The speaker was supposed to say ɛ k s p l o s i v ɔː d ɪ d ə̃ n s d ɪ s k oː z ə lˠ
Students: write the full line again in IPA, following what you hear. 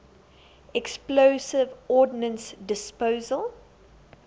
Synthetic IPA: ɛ k s p l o s ɪ v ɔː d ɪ n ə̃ n s d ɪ s p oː z ə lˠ